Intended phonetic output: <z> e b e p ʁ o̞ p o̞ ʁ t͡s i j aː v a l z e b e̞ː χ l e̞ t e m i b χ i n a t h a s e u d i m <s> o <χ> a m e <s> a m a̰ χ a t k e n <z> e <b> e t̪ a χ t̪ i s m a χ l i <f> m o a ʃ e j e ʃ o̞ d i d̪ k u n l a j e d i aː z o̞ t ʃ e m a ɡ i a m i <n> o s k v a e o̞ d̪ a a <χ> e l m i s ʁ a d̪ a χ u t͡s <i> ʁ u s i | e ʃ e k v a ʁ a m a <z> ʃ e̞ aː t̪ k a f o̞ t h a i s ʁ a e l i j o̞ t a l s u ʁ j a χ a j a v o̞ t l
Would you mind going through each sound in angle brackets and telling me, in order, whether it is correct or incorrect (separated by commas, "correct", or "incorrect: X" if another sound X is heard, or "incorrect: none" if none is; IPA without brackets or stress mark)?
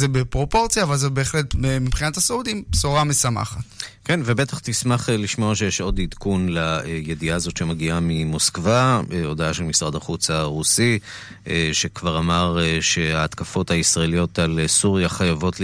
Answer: correct, correct, incorrect: ʁ, correct, incorrect: v, correct, incorrect: ʃ, incorrect: m, incorrect: ʃ, incorrect: a, incorrect: ʁ